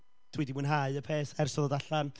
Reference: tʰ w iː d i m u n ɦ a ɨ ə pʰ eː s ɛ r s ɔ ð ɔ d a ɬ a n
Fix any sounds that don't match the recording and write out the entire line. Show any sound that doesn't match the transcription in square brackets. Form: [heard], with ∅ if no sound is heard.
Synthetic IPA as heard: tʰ w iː d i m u n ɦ a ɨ ə pʰ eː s ɛ r s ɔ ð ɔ d a ɬ a n